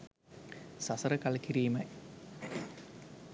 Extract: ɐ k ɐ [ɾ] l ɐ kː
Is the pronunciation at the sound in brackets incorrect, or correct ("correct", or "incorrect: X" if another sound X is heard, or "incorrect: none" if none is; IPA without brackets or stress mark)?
incorrect: none